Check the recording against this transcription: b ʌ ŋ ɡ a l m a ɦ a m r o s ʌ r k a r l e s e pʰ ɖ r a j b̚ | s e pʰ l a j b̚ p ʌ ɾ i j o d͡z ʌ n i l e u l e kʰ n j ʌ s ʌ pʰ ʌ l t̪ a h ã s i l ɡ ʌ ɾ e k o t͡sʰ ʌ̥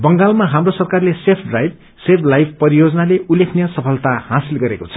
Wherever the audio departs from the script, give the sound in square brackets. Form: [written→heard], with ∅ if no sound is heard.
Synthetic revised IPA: b ʌ ŋ ɡ a l m a ɦ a m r o s ʌ r k a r l e s e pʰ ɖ r a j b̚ | s e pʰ l a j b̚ p ʌ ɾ i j o d͡z ʌ n [i→a] l e u l e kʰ n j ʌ s ʌ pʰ ʌ l t̪ a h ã s i l ɡ ʌ ɾ e k o t͡sʰ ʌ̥